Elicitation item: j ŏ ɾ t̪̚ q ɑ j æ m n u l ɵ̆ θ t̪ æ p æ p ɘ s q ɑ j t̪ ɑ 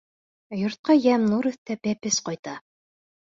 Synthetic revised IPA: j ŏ ɾ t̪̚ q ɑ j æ m n u ɾ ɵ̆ θ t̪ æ p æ p ɘ s q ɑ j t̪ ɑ